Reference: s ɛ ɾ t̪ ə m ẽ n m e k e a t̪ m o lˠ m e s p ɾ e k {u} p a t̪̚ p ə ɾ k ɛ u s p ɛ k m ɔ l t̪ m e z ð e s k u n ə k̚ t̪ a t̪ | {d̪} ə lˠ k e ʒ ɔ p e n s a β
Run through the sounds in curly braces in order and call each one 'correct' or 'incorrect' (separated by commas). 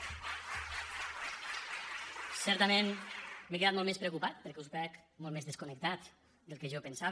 correct, correct